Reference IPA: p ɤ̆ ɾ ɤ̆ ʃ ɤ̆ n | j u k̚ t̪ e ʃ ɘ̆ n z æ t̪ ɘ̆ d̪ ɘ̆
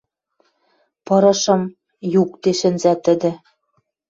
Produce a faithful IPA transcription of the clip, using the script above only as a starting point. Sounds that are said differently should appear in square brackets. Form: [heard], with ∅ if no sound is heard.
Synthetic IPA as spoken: p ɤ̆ ɾ ɤ̆ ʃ ɤ̆ [m] | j u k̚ t̪ e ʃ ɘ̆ n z æ t̪ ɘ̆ d̪ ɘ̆

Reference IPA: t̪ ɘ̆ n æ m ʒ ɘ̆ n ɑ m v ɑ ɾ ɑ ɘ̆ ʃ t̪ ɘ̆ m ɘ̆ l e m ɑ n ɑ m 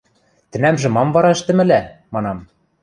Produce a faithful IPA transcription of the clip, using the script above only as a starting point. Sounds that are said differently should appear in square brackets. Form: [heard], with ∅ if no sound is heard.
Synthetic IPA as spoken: t̪ ɘ̆ n æ m ʒ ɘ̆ [m] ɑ m v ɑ ɾ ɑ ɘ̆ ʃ t̪ ɘ̆ m ɘ̆ l [æ] m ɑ n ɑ m

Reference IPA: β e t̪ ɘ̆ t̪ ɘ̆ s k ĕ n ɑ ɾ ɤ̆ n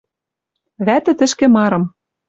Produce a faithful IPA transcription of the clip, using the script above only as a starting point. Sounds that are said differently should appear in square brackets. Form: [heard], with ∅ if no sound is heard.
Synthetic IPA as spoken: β [æ] t̪ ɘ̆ t̪ ɘ̆ [ʃ] k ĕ [m] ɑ ɾ ɤ̆ [m]

